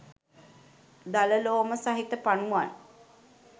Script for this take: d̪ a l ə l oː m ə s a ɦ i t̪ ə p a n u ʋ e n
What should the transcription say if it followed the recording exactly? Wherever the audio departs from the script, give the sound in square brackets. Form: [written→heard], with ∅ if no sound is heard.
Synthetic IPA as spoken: d̪ a l ə l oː m ə s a ɦ i t̪ ə p a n u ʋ [e→a] n